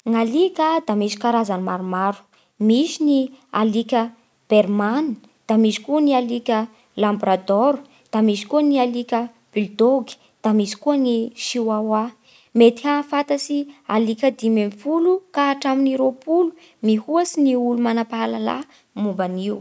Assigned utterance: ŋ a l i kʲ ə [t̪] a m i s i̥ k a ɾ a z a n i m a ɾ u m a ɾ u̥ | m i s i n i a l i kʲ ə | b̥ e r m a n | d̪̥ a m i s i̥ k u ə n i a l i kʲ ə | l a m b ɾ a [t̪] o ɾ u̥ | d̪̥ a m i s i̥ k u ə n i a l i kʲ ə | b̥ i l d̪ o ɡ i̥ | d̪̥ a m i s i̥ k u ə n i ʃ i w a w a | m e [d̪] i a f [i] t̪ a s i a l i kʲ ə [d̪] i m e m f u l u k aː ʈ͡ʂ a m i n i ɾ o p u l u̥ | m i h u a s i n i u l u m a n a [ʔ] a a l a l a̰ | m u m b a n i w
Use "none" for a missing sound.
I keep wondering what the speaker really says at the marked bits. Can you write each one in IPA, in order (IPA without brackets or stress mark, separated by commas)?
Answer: d̪, d̪, t̪, a, d̪, p